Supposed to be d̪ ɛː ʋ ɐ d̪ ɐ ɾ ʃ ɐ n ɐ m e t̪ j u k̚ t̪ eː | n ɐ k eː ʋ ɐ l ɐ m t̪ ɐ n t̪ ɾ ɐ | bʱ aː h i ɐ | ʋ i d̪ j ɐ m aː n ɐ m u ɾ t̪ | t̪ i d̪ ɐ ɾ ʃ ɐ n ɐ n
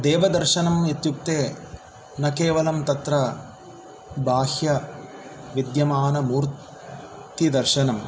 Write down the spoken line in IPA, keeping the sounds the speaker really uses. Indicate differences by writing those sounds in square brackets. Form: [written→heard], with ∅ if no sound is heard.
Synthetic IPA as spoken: d̪ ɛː ʋ ɐ d̪ ɐ ɾ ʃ ɐ n ɐ m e t̪ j u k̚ t̪ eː | n ɐ k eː ʋ ɐ l ɐ m t̪ ɐ [n→∅] t̪ ɾ ɐ | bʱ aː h [i→j] ɐ | ʋ i d̪ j ɐ m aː n ɐ m [u→uː] ɾ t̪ | t̪ i d̪ ɐ ɾ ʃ ɐ n ɐ [n→m]